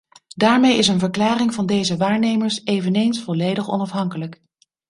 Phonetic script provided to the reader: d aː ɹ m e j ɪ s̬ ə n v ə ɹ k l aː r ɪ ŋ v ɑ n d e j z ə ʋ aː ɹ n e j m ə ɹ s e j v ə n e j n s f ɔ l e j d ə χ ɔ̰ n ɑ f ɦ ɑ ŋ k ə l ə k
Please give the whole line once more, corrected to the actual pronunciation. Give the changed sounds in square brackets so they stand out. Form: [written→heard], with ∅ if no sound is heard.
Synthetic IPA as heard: d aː ɹ m e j ɪ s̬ ə n v ə ɹ k l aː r ɪ ŋ v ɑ n d e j z ə ʋ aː ɹ n e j m ə ɹ s e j v ə n e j n s f ɔ l e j d ə χ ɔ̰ n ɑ f ɦ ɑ ŋ k ə l ə k